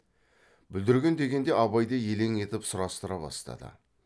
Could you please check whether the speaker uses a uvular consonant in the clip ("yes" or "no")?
no